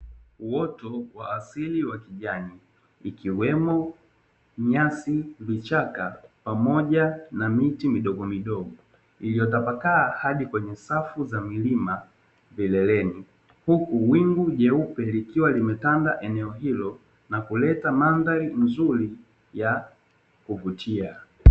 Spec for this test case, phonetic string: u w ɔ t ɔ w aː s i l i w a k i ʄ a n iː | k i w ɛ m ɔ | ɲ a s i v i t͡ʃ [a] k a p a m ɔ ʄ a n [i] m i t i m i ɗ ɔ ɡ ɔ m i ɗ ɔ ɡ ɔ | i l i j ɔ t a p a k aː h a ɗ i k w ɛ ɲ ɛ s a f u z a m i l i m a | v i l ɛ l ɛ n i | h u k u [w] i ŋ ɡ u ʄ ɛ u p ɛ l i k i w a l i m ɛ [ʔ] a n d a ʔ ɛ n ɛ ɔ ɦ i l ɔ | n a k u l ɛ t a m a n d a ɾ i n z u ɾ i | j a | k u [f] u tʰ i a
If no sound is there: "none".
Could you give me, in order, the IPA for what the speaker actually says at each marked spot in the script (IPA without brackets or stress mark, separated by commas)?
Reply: a, a, w, t, v